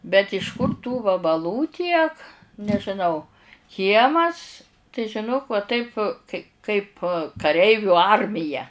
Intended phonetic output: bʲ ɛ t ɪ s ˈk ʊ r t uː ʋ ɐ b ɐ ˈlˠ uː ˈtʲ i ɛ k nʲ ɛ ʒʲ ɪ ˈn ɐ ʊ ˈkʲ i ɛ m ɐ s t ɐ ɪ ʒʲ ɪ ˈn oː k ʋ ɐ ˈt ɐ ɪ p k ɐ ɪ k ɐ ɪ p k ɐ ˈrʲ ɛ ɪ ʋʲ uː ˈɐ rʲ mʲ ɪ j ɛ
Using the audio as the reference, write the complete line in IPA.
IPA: bʲ ɛ t ɪ ʃ ˈk ʊ r t uː ʋ ɐ b ɐ ˈlˠ uː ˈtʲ i ɛ k nʲ ɛ ʒʲ ɪ ˈn ɐ ʊ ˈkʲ i ɛ m ɐ s t ɐ ɪ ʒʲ ɪ ˈn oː k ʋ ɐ ˈt ɐ ɪ p k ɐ ɪ k ɐ ɪ p k ɐ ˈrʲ ɛ ɪ ʋʲ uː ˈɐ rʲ mʲ ɪ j ɛ

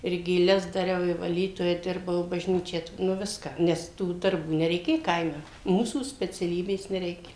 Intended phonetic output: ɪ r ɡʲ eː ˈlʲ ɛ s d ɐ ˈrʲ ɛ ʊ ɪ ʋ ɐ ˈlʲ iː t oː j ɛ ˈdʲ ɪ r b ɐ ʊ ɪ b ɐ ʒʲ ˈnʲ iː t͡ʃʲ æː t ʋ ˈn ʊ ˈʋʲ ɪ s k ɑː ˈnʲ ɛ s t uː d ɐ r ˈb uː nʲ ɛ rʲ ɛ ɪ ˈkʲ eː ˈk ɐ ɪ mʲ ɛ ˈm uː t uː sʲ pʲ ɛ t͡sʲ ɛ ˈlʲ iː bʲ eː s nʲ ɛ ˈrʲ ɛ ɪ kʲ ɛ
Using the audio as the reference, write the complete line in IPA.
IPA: ɪ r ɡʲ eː ˈlʲ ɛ s d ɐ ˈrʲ ɛ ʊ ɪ ʋ ɐ ˈlʲ iː t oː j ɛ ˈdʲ ɪ r b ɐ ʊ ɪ b ɐ ʒʲ ˈnʲ iː t͡ʃʲ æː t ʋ ˈn ʊ ˈʋʲ ɪ s k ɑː ˈnʲ ɛ s t uː d ɐ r ˈb uː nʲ ɛ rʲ ɛ ɪ ˈkʲ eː ˈk ɐ ɪ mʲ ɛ ˈm uː s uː sʲ pʲ ɛ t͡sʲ ɛ ˈlʲ iː bʲ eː s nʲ ɛ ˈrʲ ɛ ɪ kʲ ɛ

